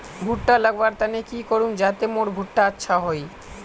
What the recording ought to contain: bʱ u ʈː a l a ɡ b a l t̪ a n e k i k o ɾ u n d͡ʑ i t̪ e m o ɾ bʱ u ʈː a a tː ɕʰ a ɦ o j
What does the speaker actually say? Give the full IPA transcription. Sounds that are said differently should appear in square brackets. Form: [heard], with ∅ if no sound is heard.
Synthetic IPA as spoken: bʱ u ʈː a l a ɡ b a [ɾ] t̪ a n e k i k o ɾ u n d͡ʑ [a] t̪ e m o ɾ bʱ u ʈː a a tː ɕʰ a ɦ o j